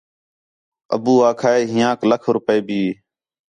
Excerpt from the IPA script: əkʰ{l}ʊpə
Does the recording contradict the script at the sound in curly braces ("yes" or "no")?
yes